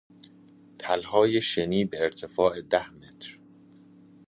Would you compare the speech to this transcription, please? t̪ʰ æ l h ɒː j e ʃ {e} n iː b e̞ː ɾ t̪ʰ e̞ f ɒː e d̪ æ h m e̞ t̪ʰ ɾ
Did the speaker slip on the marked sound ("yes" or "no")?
no